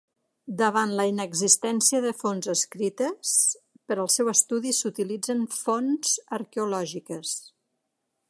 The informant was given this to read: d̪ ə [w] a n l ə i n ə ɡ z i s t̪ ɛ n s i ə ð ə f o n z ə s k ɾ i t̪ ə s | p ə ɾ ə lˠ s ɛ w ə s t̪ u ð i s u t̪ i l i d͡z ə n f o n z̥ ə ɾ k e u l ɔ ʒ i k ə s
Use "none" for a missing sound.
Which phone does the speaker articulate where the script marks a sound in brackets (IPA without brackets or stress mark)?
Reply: β